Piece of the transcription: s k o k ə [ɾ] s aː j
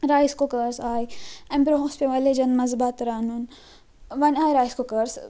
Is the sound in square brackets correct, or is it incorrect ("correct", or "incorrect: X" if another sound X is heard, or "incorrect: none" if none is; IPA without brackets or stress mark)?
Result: correct